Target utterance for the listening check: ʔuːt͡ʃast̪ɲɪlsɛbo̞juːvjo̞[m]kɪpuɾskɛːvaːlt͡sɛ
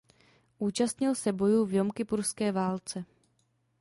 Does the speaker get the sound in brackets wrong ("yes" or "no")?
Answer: no